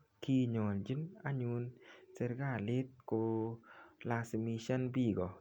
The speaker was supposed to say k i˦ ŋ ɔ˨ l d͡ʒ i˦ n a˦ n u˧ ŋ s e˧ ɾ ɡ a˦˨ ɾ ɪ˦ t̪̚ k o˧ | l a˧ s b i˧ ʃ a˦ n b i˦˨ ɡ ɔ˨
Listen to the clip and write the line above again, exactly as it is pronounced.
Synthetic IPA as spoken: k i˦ ɲ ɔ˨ l d͡ʒ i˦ n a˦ ɲ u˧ n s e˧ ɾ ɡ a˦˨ l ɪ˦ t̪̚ k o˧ | l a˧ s m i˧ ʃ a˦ n b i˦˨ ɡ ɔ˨